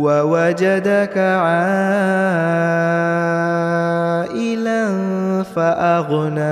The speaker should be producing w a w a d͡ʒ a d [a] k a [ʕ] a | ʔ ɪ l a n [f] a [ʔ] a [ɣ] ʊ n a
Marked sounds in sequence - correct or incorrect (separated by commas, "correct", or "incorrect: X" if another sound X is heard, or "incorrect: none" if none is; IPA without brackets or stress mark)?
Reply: correct, correct, correct, correct, correct